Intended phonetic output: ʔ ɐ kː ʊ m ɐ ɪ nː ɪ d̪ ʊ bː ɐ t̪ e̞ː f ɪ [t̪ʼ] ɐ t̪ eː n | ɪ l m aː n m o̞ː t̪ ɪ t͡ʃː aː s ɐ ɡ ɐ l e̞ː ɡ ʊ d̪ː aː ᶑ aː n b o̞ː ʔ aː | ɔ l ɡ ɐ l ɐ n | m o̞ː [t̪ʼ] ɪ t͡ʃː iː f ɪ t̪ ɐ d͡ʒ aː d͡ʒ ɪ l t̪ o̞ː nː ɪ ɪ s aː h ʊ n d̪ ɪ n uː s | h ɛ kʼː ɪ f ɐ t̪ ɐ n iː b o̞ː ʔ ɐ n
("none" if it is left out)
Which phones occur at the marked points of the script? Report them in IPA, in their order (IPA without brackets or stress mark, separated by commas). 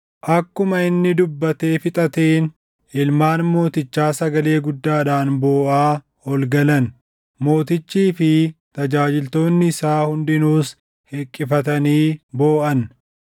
t̪ʼ, t̪